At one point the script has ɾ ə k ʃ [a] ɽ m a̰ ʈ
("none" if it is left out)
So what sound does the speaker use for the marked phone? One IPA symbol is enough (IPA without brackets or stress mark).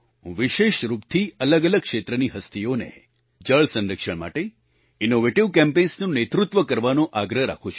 ə